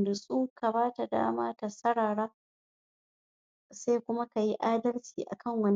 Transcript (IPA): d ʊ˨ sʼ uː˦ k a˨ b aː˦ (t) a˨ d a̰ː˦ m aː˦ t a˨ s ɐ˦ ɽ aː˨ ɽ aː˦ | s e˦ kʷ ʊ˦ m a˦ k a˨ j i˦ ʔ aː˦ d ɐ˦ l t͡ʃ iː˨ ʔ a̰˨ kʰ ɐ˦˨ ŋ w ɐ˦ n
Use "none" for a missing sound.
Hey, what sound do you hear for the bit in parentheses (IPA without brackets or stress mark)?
t